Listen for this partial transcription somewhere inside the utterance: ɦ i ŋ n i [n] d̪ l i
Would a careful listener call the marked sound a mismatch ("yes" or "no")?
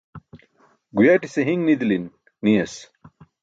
yes